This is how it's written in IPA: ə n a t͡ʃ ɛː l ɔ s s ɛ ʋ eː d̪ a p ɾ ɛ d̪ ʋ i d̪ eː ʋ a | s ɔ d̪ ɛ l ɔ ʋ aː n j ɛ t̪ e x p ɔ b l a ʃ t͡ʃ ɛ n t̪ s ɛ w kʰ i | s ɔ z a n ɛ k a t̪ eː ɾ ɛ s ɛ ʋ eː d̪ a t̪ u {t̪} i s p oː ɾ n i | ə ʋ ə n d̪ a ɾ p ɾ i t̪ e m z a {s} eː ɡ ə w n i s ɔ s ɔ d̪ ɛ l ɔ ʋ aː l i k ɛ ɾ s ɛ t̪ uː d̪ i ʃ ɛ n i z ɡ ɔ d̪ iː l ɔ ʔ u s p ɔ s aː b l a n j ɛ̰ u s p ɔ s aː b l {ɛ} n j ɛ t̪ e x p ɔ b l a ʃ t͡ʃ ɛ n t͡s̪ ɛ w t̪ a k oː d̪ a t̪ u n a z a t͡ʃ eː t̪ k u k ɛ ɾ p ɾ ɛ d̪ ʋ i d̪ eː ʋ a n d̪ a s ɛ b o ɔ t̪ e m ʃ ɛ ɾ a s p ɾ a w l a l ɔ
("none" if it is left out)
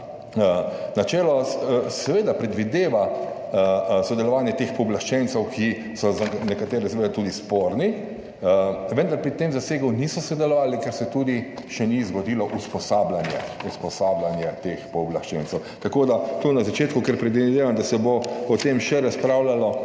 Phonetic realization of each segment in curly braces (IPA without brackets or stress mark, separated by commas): d̪, s, a